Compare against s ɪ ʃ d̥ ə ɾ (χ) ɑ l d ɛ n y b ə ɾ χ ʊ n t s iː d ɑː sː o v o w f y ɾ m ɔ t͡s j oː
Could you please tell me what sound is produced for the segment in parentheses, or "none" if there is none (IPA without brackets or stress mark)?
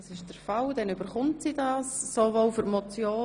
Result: f